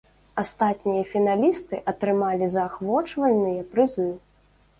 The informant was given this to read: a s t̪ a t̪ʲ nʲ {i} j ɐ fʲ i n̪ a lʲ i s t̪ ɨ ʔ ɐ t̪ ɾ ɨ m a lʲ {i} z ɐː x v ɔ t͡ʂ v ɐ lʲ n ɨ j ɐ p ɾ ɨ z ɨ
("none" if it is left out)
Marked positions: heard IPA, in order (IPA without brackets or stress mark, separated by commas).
i, i